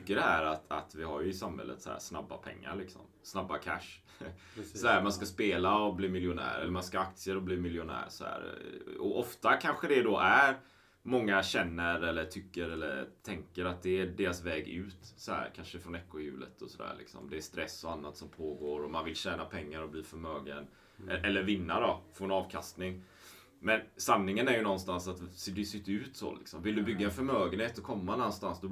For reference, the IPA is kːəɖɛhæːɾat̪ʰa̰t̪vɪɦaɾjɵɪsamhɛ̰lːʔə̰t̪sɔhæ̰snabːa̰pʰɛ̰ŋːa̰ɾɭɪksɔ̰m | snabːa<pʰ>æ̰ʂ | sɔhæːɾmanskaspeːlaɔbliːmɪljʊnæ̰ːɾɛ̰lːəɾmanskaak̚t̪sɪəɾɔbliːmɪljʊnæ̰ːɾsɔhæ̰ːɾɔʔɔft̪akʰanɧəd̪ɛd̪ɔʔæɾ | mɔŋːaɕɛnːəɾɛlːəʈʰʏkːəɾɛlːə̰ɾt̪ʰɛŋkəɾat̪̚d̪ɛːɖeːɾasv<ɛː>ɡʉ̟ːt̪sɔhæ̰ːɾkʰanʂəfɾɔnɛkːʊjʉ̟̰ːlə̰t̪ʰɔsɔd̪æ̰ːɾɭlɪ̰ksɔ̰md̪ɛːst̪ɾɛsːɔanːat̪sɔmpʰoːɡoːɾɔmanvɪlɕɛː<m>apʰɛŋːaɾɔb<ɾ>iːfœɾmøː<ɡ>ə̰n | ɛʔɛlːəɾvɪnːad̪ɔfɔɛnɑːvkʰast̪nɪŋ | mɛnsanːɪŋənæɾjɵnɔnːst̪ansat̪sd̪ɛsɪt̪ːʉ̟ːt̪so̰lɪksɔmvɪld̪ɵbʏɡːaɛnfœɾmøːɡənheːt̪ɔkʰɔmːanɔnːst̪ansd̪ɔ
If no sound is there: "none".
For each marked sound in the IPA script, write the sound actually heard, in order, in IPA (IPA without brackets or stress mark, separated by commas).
kʰ, ɛː, n, l, ɡ